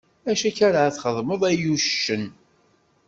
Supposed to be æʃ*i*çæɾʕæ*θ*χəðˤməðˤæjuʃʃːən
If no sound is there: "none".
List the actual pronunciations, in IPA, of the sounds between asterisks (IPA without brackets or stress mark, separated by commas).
æ, θ